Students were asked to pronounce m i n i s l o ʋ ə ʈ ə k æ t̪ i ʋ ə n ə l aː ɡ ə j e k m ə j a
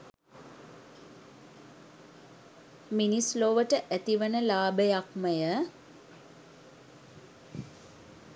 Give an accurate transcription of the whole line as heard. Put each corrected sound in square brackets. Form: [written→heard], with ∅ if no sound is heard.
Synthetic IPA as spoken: m i n i s l o ʋ ə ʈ ə [k→ʔ] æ t̪ i ʋ ə n ə l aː [ɡ→b] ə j [e→a] k m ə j [a→ə]